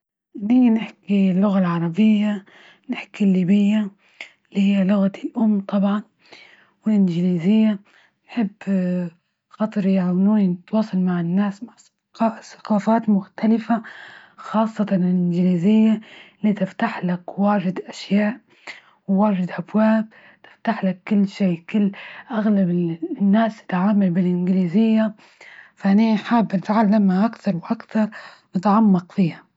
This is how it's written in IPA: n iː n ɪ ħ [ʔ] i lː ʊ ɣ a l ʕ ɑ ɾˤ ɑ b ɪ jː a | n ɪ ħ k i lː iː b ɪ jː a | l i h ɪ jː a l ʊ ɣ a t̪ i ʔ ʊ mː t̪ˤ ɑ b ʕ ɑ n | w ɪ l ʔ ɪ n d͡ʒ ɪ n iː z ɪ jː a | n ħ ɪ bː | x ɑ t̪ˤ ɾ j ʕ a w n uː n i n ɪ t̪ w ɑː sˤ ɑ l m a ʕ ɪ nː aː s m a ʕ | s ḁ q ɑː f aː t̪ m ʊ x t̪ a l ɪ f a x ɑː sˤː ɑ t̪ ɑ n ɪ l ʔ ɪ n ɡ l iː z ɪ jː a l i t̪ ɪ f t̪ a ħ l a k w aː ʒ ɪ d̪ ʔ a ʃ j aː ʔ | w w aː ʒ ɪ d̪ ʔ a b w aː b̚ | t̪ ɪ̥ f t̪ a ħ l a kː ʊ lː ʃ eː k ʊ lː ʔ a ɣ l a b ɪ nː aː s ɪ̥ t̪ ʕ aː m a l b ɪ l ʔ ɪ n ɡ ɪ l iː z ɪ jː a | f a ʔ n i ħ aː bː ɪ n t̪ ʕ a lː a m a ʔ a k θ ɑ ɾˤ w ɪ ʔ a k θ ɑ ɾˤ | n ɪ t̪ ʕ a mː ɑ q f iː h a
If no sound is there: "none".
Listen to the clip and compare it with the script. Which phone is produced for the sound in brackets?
k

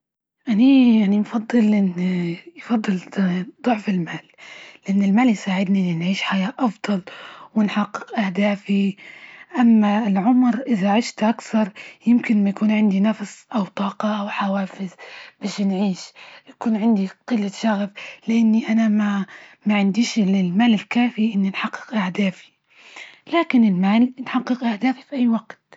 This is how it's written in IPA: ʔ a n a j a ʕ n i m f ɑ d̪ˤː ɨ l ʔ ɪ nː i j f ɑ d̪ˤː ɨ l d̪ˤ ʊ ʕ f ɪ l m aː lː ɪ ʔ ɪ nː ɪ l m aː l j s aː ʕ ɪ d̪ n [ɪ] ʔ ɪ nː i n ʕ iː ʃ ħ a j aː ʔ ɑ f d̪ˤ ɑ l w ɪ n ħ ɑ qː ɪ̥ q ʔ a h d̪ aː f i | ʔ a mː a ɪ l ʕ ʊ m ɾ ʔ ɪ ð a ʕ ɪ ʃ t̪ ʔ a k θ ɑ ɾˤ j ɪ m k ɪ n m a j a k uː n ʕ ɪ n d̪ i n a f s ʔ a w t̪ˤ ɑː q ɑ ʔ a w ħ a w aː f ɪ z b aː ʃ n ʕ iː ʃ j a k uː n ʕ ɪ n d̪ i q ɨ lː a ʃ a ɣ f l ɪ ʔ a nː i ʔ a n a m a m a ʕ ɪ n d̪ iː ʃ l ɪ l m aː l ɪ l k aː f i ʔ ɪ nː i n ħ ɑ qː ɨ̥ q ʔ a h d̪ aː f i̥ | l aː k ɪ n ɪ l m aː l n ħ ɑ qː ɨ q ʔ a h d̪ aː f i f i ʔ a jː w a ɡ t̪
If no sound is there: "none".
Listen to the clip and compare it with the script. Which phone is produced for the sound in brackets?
i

